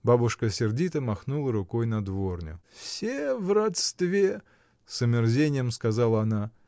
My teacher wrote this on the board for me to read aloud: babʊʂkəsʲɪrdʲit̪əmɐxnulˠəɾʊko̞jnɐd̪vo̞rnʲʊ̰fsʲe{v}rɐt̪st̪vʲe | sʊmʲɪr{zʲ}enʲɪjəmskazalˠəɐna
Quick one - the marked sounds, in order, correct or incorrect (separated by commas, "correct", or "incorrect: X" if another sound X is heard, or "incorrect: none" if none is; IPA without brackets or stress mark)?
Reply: correct, correct